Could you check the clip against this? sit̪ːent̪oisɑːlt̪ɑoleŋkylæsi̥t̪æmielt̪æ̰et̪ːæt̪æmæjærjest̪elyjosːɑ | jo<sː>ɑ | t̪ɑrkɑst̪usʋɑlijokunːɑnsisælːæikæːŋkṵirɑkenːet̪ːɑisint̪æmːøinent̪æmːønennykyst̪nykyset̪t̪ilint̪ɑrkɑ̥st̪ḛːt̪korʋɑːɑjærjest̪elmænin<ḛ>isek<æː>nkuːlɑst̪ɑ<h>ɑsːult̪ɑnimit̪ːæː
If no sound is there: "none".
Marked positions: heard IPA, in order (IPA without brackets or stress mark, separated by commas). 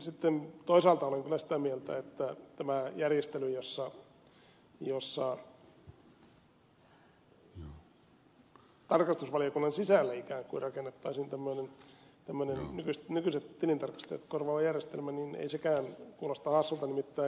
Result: sː, ḛ, æː, h